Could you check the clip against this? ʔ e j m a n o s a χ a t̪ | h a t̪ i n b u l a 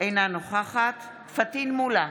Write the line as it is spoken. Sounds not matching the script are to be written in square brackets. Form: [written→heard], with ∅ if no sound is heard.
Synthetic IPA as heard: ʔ e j [m→n] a n o [s→χ] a χ a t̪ | [h→f] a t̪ i n [b→m] u l a

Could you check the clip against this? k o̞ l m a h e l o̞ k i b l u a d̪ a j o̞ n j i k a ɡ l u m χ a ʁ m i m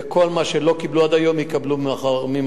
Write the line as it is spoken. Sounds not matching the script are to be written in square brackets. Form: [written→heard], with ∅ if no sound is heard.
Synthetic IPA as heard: k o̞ l m a [h→ʃ] e l o̞ k i b l u a d̪ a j o̞ [n→m] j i k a [ɡ→b] l u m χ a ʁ m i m

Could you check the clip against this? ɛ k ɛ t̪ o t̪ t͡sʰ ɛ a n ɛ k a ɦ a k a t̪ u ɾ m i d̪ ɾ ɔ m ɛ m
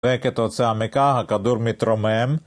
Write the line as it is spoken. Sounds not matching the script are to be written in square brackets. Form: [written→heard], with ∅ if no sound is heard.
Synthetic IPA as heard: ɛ k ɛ t̪ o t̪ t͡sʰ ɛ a [n→m] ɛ k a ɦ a k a [t̪→d̪] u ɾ m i [d̪→t̪] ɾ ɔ m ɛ m

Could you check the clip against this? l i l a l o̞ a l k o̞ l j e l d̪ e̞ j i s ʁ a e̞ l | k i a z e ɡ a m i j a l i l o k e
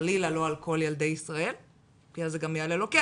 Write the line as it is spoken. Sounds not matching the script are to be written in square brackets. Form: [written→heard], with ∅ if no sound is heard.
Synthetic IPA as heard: l i l a l o̞ a l k o̞ l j e l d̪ e̞ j i s ʁ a e̞ l | k i a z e ɡ a m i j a l [i→e] l o k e

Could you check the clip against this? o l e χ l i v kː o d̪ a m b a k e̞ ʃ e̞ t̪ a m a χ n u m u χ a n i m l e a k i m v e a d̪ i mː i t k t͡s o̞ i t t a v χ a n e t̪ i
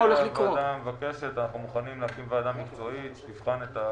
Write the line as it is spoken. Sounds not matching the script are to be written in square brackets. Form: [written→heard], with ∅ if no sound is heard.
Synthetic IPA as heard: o l e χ l i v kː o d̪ a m [b→v] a k e̞ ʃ e̞ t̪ a [m→n] a χ n u m u χ a n i m l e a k i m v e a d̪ [i→a] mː i [t→∅] k t͡s o̞ i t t [a→i] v χ a n e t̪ [i→a]

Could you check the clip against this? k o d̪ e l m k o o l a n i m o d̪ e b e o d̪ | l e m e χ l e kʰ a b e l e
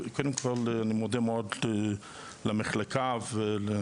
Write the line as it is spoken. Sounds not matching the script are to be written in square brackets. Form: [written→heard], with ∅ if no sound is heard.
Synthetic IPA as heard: k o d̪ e [l→∅] m k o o l a n i m o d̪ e [b→m] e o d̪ | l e m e χ l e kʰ a [b→v] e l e

